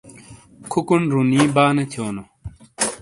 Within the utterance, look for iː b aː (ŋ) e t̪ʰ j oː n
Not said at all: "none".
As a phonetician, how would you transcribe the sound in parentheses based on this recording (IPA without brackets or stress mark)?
n